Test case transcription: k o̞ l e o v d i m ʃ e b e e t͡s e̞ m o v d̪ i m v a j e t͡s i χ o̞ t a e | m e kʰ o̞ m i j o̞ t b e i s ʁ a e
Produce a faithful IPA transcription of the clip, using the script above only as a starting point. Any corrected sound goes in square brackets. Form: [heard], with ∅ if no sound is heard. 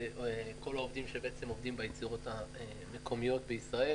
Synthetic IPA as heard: k o̞ l [a] o v d i m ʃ e b e e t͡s e̞ m o v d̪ i m [b] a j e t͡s i [ʁ] o̞ t a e | m e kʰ o̞ m i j o̞ t b e i s ʁ a e